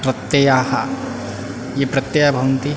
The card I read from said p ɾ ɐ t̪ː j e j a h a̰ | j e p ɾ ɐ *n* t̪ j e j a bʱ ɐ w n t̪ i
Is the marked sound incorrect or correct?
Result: incorrect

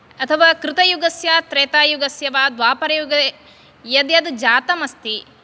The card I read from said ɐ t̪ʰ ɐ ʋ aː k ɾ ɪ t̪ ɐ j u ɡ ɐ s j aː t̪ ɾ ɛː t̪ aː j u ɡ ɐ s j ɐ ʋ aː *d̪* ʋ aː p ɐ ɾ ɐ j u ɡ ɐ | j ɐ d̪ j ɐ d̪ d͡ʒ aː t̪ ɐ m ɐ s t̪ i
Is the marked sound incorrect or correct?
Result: correct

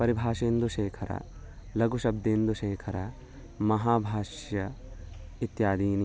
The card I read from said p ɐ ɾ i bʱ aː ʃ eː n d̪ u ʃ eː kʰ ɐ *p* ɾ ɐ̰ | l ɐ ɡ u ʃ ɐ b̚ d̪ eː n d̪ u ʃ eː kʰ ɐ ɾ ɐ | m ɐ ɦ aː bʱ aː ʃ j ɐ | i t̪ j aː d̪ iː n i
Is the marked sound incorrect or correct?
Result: incorrect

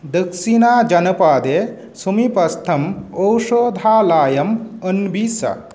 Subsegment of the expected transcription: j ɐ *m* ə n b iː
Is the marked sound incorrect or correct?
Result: correct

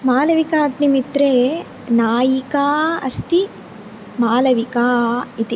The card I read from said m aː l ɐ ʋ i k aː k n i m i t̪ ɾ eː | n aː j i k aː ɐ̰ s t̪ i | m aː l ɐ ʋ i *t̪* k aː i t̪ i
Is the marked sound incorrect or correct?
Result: incorrect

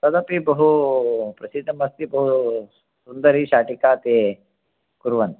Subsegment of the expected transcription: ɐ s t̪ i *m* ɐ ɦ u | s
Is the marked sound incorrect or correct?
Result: incorrect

